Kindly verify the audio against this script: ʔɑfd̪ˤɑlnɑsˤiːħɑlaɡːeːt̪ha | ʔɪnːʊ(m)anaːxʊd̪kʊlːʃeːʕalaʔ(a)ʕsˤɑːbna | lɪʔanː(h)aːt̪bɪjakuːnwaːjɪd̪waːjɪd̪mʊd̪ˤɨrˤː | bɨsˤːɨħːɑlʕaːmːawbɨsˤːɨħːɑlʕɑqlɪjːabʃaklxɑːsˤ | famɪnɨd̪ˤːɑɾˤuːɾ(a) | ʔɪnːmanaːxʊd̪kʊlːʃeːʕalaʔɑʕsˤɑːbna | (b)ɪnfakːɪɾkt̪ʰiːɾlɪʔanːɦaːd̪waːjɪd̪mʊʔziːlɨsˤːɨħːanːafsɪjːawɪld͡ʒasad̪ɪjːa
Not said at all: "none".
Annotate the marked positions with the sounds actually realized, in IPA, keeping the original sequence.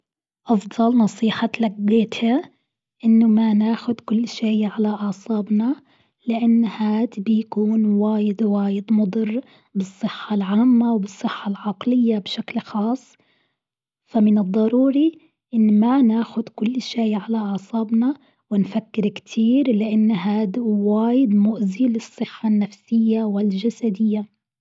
m, ɑ, h, i, w

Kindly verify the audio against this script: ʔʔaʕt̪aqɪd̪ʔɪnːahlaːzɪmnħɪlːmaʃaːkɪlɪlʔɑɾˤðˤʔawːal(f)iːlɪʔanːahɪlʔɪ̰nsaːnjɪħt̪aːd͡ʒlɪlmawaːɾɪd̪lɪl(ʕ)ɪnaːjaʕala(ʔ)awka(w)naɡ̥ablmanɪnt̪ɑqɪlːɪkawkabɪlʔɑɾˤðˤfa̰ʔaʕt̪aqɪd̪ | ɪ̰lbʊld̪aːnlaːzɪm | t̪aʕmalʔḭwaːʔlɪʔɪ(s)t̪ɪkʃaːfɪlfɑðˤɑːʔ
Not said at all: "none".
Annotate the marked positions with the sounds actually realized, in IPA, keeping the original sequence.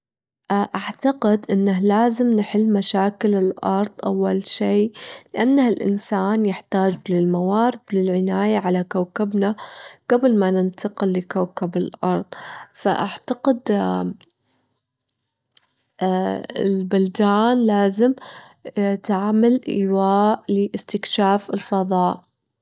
ʃ, ʕ, k, b, s

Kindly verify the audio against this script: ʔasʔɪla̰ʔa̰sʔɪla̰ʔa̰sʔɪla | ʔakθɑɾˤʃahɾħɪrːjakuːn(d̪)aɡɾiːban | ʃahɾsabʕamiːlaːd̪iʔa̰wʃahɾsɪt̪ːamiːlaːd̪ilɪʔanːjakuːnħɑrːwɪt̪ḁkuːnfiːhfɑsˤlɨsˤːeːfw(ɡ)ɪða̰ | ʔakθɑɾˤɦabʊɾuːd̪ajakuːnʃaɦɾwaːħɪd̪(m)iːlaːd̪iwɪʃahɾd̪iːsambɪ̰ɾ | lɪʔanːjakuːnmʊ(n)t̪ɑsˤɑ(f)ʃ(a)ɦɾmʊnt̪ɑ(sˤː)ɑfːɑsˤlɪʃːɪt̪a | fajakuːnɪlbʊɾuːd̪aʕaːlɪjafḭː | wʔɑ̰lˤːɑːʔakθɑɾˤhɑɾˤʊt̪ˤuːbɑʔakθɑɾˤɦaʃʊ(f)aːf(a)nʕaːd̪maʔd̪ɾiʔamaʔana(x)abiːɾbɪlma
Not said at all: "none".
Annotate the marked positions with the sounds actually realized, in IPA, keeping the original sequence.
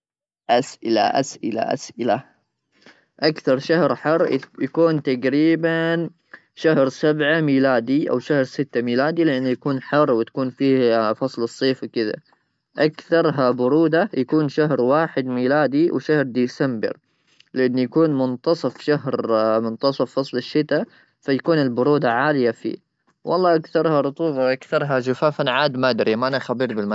t̪, k, m, n, f, a, sˤ, f, a, x

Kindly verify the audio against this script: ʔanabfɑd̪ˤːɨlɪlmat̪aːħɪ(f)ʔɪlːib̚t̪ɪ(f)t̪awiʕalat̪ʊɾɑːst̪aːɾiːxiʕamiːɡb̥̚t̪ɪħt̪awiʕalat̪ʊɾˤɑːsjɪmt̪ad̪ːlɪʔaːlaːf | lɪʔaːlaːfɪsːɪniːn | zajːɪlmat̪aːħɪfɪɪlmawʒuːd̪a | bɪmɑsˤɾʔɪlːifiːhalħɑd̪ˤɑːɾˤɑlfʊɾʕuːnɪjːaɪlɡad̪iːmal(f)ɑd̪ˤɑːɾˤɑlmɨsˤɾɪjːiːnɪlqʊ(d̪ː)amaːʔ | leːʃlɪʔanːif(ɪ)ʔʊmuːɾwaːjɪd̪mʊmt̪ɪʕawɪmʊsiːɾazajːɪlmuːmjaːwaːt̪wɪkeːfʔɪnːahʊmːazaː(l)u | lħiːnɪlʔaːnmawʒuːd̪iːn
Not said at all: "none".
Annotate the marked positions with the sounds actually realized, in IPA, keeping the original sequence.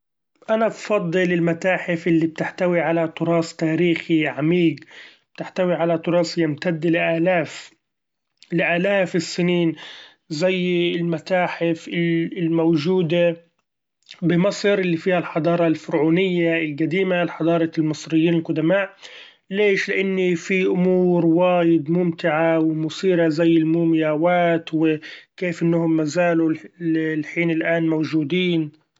f, ħ, ħ, d̪, i, l

